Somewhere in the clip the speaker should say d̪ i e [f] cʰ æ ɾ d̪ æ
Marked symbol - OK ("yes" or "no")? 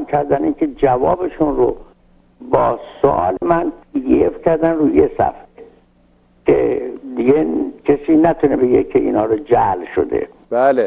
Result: yes